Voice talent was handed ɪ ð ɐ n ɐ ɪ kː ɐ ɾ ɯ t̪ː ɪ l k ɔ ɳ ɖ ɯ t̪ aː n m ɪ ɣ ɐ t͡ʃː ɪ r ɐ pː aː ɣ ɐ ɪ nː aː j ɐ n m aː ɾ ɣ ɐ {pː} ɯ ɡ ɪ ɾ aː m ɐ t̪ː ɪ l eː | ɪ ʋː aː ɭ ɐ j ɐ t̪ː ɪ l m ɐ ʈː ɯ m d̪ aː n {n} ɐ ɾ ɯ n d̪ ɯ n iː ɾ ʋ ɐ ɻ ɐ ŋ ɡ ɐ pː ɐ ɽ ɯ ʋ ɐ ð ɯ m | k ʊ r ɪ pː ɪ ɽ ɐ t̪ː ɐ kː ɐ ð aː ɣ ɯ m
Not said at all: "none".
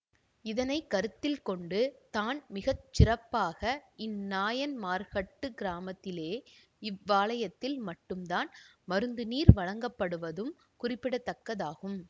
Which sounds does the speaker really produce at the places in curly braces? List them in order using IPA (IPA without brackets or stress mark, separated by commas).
ʈː, m